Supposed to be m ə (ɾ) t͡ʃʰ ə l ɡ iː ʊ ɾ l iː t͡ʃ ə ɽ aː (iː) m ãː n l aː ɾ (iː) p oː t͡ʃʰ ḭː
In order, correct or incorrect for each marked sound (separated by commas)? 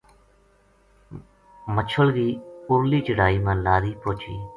incorrect, correct, correct